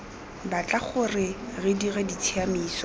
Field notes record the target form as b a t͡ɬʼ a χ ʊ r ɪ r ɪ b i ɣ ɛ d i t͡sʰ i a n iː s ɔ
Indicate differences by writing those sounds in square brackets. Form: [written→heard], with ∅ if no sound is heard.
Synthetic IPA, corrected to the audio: b a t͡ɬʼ a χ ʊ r ɪ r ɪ [b→d] i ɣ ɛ d i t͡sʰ i a [n→m] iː s ɔ